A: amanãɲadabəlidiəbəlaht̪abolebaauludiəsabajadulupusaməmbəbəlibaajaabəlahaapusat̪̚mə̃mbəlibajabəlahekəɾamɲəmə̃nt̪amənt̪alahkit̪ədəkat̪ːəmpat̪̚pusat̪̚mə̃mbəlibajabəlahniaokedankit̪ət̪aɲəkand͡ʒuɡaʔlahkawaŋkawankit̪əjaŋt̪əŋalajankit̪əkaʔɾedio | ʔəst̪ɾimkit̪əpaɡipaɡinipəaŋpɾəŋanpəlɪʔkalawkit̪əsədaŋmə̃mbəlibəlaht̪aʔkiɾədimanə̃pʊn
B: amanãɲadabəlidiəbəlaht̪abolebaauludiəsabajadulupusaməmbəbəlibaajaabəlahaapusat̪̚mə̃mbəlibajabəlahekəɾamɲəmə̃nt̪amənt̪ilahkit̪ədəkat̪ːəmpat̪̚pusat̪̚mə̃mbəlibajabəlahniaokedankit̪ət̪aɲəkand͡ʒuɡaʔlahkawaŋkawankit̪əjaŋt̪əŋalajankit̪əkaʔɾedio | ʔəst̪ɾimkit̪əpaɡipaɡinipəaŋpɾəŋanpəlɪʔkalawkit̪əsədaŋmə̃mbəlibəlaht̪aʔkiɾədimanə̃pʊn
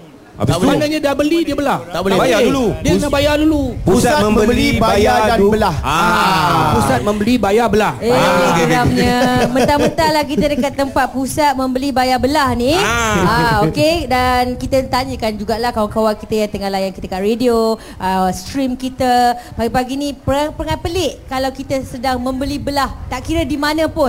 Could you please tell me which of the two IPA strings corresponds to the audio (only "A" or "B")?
A